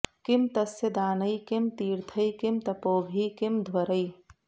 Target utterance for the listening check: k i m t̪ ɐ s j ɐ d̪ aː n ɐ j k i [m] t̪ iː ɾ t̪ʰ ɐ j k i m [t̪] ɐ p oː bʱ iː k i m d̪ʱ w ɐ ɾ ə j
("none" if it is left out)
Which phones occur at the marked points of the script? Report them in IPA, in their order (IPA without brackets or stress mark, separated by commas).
m, t̪